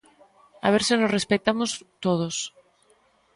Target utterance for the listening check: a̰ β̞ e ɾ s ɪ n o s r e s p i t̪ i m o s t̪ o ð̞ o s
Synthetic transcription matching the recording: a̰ β̞ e ɾ s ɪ n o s r e s p e t̪ a m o s t̪ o ð̞ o s